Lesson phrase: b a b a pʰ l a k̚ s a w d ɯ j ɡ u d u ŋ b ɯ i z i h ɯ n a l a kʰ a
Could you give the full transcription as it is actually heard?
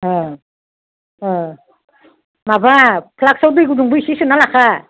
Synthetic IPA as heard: m a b a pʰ l a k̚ s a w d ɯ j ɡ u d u ŋ b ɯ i s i s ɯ n a l a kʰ a